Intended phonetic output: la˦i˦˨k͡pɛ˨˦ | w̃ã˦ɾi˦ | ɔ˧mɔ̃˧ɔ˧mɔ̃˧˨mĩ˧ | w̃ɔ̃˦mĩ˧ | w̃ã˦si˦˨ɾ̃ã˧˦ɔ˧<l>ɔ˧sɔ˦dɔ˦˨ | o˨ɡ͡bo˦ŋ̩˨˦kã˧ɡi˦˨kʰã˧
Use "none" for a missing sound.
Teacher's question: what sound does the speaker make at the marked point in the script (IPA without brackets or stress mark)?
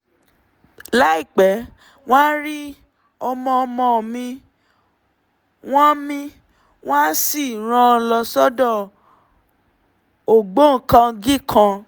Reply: l